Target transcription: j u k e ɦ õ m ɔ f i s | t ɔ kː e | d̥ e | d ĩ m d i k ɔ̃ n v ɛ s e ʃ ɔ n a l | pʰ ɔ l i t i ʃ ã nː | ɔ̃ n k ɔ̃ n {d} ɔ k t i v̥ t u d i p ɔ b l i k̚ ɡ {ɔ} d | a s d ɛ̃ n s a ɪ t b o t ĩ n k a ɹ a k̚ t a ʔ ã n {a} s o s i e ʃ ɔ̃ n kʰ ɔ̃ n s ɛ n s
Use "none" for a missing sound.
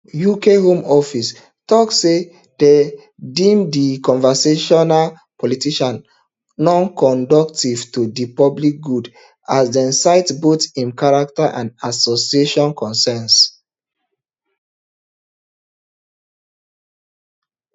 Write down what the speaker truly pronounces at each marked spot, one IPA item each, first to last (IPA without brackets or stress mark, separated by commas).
d, u, a